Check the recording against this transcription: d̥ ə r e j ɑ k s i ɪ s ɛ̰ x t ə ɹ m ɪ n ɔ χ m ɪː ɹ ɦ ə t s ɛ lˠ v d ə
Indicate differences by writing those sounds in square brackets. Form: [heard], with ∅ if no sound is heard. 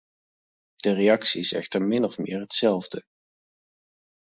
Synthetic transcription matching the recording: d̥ ə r e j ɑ k s i ɪ s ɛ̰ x t ə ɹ m ɪ n ɔ [f] m ɪː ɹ ɦ ə t s ɛ lˠ v d ə

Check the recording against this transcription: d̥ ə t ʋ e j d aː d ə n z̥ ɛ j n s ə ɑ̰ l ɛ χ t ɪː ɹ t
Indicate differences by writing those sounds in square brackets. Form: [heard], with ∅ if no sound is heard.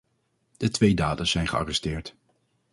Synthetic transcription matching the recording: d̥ ə t ʋ e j d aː d ə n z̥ ɛ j n [χ] ə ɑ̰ [r] ɛ [s] t ɪː ɹ t

